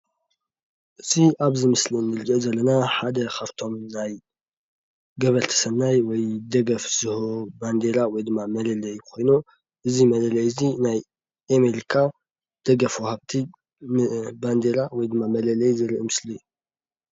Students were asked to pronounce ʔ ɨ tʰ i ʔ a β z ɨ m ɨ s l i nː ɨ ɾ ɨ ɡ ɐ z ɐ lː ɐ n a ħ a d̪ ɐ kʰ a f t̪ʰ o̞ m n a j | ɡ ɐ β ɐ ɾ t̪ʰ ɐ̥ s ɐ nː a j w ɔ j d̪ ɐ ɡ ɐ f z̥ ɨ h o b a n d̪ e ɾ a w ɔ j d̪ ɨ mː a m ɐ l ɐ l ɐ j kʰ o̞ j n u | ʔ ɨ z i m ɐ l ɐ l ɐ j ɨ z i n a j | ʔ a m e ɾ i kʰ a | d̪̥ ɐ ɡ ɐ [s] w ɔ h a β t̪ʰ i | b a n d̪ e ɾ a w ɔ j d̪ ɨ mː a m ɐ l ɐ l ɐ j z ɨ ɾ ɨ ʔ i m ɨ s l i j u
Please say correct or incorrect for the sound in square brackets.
incorrect